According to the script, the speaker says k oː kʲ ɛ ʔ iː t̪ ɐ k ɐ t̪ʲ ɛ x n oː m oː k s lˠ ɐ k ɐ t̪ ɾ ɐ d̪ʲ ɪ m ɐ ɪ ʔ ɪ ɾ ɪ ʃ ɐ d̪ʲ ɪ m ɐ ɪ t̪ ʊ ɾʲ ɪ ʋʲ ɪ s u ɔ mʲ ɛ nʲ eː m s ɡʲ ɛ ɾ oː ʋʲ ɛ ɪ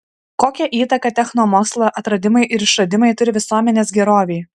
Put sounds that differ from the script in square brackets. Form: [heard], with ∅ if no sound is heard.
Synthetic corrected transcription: k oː kʲ ɛ ʔ iː t̪ ɐ k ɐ t̪ʲ ɛ x n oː m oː k s lˠ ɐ [ʔ] ɐ t̪ ɾ ɐ d̪ʲ ɪ m ɐ ɪ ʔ ɪ ɾ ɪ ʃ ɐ d̪ʲ ɪ m ɐ ɪ t̪ ʊ ɾʲ ɪ ʋʲ ɪ s u ɔ mʲ ɛ nʲ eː [∅] s ɡʲ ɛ ɾ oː ʋʲ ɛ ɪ